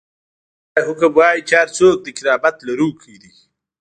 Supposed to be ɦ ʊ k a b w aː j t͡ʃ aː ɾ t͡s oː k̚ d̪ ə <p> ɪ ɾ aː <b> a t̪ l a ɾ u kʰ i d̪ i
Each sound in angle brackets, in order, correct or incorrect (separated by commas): incorrect, correct